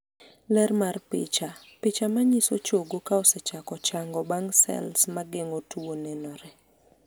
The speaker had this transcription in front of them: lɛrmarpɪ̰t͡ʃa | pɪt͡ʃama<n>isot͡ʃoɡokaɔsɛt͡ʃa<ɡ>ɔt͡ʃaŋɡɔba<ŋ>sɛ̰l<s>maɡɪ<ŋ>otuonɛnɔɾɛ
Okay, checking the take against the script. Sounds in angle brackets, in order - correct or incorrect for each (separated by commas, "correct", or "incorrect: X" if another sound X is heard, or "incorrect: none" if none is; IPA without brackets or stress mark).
incorrect: ɲ, incorrect: k, correct, correct, correct